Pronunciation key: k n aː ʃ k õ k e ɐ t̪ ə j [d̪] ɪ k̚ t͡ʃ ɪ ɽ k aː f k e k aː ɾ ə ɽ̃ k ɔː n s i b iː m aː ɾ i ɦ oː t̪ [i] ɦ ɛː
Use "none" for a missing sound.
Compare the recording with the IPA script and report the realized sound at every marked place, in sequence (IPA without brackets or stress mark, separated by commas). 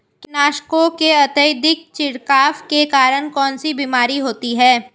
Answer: d̪, i